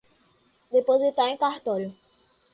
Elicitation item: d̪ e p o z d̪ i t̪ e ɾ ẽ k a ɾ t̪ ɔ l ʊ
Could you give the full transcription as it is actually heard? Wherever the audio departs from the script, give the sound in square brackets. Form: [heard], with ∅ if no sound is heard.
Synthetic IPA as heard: d̪ e p o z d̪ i t̪ [a] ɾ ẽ k a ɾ t̪ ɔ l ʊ